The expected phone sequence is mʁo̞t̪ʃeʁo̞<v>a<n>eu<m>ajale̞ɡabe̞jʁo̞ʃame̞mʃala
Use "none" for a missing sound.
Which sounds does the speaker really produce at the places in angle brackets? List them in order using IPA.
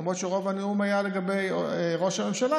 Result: v, n, m

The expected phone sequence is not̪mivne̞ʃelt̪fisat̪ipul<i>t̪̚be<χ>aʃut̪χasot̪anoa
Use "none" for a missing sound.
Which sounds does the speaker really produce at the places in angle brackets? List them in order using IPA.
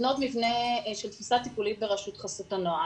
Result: i, ʁ

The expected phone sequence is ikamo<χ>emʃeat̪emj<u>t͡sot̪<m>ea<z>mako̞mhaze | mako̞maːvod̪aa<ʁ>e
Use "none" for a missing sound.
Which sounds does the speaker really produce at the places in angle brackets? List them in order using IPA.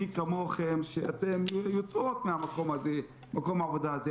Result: χ, o, m, none, z

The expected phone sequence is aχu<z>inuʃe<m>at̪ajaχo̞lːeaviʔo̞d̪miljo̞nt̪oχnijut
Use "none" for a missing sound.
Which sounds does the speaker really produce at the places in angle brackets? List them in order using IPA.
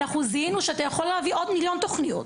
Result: z, none

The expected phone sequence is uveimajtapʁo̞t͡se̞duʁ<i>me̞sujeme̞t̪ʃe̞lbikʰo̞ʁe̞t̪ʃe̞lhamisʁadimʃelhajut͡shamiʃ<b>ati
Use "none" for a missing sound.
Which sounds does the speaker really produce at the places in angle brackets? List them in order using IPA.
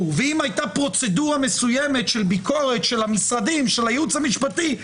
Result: a, p

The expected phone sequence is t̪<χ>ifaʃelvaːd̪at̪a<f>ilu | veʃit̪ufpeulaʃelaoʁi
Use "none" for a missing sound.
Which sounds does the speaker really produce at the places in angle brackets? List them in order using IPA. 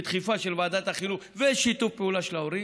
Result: χ, χ

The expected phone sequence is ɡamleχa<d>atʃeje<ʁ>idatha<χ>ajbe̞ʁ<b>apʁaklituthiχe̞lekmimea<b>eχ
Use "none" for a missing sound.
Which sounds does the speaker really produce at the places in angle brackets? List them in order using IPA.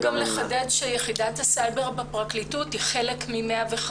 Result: d, χ, s, b, v

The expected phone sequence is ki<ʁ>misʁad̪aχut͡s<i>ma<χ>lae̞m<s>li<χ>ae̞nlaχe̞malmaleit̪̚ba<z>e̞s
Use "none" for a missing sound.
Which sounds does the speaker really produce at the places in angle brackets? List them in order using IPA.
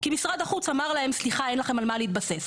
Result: none, a, ʁ, s, χ, s

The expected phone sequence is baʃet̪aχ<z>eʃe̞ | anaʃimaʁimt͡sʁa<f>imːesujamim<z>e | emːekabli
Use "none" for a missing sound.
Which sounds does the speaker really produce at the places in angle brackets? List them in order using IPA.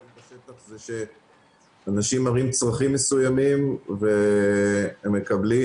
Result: z, χ, v

